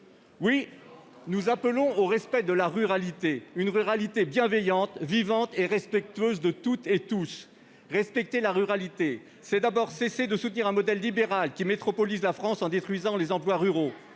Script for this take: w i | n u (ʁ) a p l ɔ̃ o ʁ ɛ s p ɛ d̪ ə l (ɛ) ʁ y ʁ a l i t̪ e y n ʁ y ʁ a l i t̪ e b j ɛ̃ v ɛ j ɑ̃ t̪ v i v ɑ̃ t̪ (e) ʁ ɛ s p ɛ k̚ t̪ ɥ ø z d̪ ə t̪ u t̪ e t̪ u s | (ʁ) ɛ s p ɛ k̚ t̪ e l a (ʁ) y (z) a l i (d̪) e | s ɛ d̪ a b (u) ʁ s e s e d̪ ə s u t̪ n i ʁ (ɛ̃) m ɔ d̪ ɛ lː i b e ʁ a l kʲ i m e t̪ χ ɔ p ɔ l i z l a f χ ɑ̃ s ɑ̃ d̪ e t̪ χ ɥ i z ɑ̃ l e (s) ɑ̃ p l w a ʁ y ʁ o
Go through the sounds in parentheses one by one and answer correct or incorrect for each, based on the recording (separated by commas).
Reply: incorrect, incorrect, correct, correct, correct, incorrect, incorrect, incorrect, correct, incorrect